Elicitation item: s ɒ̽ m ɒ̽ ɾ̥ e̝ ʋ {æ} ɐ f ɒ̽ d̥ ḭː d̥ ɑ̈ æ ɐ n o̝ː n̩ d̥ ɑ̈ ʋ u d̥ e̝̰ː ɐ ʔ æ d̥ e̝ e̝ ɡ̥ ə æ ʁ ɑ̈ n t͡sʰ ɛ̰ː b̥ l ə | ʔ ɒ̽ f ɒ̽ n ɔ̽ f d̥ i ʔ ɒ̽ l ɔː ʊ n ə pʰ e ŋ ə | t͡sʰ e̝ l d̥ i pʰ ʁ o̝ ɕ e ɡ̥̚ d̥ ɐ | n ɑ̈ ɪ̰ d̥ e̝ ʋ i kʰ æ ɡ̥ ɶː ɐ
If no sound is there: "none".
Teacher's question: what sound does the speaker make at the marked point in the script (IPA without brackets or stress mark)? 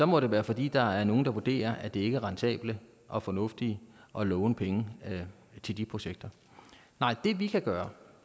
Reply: æː